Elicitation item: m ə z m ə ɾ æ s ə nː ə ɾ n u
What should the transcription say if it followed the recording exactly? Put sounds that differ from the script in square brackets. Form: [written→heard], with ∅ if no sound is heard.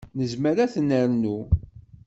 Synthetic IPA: [m→n] ə z m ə ɾ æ [s→θ] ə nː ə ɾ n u